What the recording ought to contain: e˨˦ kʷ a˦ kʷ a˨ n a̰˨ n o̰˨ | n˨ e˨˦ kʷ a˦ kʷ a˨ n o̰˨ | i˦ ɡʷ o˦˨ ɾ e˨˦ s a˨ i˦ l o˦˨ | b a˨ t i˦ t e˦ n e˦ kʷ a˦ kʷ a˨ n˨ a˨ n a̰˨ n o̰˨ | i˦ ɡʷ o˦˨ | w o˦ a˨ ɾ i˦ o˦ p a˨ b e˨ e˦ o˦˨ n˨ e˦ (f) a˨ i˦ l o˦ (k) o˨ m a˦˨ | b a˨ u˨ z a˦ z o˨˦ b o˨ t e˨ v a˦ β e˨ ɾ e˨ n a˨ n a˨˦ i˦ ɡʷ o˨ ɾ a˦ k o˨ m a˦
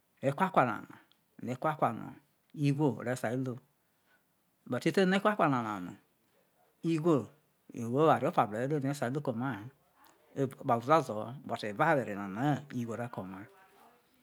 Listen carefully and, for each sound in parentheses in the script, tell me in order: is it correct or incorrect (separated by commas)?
incorrect, correct